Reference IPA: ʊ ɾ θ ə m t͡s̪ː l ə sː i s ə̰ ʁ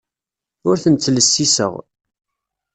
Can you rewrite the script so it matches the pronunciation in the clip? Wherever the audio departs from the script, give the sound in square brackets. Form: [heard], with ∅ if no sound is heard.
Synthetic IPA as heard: ʊ ɾ θ ə [n] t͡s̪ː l ə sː i s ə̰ ʁ